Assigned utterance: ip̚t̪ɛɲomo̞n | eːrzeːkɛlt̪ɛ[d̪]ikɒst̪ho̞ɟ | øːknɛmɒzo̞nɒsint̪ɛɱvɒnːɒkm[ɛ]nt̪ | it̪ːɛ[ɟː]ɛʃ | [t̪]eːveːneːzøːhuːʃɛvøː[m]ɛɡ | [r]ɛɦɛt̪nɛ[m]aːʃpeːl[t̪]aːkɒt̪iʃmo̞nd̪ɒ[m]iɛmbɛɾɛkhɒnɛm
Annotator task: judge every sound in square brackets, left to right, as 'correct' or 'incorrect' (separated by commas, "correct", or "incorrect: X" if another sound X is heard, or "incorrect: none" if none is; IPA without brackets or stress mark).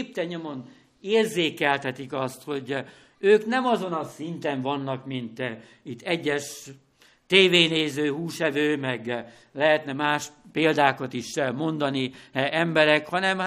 incorrect: t̪, incorrect: i, correct, correct, correct, incorrect: l, correct, incorrect: d̪, incorrect: n